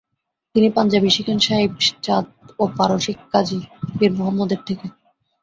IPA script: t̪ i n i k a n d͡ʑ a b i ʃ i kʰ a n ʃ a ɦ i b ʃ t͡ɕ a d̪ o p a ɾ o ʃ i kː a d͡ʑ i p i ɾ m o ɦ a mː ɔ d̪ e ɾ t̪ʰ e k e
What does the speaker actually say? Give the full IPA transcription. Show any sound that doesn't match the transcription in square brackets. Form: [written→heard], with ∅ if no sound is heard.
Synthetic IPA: t̪ i n i [k→p] a n d͡ʑ a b i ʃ i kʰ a n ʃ a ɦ i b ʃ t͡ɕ a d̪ o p a ɾ o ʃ i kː a d͡ʑ i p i ɾ m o ɦ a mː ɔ d̪ e ɾ t̪ʰ e k e